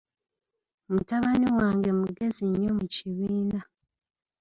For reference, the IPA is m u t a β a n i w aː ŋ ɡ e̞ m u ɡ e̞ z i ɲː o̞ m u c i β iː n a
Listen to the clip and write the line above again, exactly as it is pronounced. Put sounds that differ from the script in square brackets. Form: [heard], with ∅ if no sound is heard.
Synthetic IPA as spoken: m u t a β a n i w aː ŋ ɡ e̞ m u ɡ e̞ z i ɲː o̞ m u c i β iː n a